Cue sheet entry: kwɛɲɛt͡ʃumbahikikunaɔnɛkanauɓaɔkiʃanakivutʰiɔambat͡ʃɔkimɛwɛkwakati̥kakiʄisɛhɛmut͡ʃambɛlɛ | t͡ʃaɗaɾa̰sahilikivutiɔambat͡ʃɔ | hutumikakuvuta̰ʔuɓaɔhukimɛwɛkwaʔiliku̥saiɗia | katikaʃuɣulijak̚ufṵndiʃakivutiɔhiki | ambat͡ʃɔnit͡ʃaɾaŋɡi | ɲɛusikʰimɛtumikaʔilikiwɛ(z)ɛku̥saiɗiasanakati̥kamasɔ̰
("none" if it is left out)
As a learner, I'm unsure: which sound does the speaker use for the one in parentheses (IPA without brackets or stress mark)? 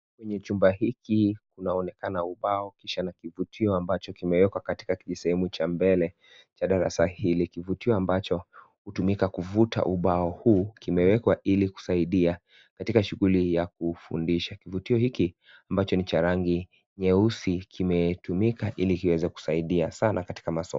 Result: z